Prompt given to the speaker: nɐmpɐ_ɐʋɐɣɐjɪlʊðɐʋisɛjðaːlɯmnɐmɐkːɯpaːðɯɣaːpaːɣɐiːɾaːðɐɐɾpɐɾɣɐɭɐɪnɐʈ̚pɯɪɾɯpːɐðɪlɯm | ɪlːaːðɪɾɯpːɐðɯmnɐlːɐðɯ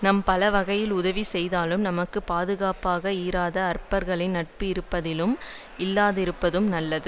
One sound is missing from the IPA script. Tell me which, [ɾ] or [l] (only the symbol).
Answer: l